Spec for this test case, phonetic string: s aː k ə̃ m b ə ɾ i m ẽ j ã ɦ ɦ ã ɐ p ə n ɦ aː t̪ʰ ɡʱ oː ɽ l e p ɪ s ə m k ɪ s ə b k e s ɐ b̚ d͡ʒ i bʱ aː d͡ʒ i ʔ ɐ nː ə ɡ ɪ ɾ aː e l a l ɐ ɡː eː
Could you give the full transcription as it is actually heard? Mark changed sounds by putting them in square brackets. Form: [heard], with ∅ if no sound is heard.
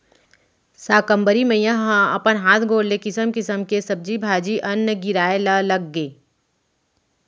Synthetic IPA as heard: s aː k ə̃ m b ə ɾ i m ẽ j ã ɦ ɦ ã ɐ p ə n ɦ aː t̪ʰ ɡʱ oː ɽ l e [k] ɪ s ə m k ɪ s ə [m] k e s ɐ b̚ d͡ʒ i bʱ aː d͡ʒ i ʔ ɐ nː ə ɡ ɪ ɾ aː e l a l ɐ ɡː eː